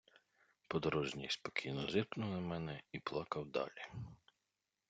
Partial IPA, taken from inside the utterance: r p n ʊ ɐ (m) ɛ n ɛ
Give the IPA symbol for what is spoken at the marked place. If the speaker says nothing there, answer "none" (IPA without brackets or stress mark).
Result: m